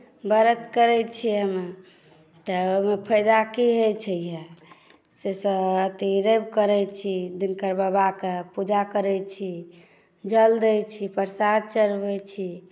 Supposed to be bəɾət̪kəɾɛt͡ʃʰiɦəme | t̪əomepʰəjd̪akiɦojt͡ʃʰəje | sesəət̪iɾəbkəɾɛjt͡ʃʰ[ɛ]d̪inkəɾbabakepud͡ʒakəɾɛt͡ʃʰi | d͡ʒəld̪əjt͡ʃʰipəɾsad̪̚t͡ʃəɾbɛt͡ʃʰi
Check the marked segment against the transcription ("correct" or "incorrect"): incorrect